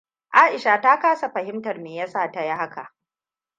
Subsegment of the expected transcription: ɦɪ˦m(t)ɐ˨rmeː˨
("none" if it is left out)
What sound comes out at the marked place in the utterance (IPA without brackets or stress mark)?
t